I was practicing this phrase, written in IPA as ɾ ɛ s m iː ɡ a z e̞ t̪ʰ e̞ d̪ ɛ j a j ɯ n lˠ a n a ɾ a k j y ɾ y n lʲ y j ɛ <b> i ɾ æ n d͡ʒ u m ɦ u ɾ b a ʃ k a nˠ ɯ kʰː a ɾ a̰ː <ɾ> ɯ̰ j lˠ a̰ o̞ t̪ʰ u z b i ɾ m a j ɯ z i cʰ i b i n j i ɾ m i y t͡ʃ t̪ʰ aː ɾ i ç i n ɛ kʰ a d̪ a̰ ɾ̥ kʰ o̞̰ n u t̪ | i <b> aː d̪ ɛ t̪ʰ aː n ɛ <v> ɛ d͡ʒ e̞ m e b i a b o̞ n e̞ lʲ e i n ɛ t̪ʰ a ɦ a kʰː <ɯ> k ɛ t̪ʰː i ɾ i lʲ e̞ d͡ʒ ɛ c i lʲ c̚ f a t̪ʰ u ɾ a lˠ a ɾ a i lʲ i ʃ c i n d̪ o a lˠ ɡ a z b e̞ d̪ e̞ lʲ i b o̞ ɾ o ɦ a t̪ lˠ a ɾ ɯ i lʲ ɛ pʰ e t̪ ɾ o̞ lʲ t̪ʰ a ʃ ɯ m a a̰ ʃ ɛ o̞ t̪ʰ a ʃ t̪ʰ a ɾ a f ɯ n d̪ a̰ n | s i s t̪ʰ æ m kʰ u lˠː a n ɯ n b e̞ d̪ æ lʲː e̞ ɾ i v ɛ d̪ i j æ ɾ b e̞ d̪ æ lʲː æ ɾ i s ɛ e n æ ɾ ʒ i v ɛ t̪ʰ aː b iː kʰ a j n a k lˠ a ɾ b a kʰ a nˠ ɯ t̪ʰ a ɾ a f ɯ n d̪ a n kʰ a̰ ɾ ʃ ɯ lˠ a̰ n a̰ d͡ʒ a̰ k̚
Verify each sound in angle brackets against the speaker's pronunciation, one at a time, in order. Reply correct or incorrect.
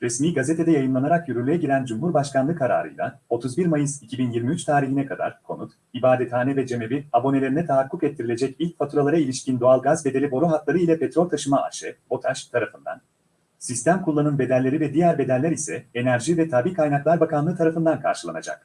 incorrect, correct, correct, correct, incorrect

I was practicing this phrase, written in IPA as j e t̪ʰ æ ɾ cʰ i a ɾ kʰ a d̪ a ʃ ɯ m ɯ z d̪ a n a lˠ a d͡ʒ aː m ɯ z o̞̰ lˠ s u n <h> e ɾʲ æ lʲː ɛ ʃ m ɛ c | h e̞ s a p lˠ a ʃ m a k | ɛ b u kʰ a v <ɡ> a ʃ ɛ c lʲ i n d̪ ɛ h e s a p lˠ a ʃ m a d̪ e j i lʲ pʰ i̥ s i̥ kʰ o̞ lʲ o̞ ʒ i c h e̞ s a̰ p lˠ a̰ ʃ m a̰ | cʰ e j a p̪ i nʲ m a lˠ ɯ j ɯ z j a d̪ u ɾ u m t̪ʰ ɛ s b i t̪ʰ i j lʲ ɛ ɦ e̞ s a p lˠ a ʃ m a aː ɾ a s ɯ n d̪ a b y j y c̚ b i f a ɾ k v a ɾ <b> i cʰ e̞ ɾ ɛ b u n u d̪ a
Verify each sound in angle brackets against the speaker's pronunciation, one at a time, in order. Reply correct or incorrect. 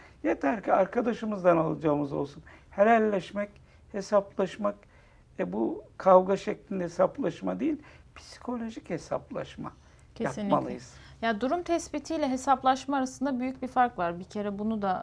correct, correct, correct

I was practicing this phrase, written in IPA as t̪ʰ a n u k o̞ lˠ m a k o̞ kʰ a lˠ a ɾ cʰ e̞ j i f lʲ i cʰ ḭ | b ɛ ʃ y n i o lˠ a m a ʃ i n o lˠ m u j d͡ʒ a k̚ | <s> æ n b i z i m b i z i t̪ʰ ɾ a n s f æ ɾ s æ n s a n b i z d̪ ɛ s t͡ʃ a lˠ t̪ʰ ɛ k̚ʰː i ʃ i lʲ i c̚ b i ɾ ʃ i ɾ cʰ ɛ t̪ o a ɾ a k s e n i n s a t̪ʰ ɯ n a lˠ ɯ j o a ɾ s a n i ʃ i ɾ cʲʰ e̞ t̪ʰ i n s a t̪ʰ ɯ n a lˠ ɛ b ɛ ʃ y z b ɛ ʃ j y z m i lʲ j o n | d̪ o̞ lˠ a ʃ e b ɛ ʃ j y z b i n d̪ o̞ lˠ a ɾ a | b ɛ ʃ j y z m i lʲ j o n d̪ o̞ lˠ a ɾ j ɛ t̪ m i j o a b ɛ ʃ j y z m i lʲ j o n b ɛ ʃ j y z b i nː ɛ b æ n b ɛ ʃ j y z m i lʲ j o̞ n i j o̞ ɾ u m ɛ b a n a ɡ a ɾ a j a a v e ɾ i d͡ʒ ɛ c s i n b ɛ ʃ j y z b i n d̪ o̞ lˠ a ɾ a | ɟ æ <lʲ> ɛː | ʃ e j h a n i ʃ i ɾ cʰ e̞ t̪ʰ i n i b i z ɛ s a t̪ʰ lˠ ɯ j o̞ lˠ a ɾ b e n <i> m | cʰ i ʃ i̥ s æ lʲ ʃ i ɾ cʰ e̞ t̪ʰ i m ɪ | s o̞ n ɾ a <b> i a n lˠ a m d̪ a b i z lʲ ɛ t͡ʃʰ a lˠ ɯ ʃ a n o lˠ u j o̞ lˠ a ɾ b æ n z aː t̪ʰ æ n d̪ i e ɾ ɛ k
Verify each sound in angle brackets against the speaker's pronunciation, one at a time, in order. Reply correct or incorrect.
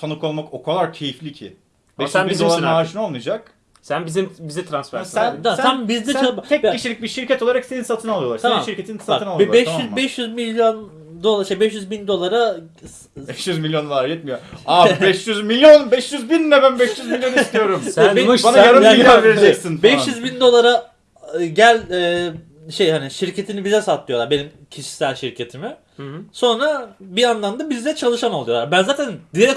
correct, correct, correct, correct

